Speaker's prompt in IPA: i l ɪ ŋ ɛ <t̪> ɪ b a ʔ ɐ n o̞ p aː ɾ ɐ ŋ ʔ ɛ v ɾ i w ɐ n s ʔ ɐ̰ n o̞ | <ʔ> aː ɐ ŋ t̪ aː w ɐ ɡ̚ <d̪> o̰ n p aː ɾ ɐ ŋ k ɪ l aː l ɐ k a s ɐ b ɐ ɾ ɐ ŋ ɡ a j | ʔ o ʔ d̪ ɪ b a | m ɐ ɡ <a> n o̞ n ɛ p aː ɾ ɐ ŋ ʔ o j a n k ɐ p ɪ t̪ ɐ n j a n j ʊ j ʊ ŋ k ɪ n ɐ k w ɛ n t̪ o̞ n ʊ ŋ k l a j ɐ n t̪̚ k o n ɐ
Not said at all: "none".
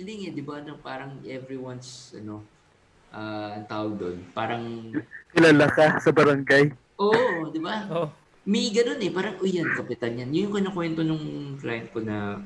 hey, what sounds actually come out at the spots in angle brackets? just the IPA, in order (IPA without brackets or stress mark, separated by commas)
d̪, ʔ, d̪, ɐ